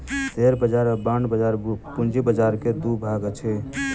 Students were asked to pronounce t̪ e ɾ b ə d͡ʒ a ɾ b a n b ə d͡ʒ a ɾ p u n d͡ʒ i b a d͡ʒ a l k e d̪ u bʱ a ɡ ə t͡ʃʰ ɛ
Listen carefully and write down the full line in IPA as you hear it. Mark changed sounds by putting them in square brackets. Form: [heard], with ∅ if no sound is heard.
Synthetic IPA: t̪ e ɾ b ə d͡ʒ a ɾ b a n b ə d͡ʒ a ɾ p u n d͡ʒ i b [ə] d͡ʒ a [ɾ] k e d̪ u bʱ a ɡ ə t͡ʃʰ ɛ